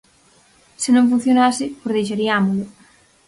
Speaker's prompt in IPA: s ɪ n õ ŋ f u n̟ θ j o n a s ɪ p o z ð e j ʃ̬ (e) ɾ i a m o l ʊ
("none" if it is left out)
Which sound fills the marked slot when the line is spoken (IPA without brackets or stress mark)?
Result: a